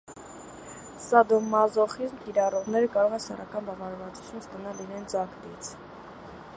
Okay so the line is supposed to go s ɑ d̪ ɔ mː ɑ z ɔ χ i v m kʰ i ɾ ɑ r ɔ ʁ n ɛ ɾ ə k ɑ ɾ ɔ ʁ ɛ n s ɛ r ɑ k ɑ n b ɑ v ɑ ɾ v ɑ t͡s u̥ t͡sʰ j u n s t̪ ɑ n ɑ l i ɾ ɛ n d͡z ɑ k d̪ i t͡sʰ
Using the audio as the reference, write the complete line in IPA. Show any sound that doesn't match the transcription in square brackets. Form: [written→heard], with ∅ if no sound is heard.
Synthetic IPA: s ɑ d̪ ɔ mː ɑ z ɔ χ i [v→z] m [kʰ→k] i ɾ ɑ r ɔ ʁ n ɛ ɾ ə k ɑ ɾ ɔ ʁ ɛ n s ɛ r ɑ k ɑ n b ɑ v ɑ ɾ v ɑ t͡s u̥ t͡sʰ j u n s t̪ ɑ n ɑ l i ɾ ɛ n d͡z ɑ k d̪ i t͡sʰ